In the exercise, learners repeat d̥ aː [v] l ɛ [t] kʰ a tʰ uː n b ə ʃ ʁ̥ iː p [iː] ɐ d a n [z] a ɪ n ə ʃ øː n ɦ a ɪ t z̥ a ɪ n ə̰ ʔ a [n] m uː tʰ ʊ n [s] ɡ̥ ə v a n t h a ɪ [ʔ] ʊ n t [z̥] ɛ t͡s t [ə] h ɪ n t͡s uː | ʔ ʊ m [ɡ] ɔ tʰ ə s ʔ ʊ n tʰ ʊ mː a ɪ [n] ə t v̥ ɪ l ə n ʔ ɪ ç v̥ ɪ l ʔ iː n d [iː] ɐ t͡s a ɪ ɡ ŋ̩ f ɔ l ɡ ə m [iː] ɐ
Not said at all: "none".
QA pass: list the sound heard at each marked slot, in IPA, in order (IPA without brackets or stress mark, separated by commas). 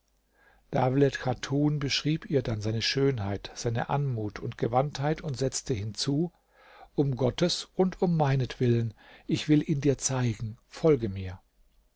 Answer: v, t, iː, z, n, t, t, z̥, ə, ɡ, n, iː, iː